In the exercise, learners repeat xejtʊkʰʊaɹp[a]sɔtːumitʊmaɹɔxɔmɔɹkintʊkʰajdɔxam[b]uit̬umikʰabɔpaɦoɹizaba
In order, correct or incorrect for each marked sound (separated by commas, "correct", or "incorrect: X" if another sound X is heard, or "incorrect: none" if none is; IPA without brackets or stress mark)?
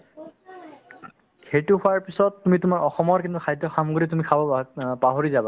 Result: incorrect: i, incorrect: ɡ